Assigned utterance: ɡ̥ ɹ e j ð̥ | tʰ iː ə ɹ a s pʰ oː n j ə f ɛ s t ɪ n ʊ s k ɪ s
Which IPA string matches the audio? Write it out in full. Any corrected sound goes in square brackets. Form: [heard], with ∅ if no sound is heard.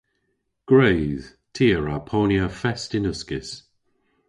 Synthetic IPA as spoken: ɡ̥ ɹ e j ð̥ | tʰ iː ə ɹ a [∅] pʰ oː n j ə f ɛ s t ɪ n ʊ s k ɪ s